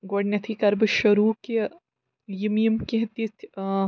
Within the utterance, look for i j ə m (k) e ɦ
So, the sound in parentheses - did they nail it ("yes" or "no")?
yes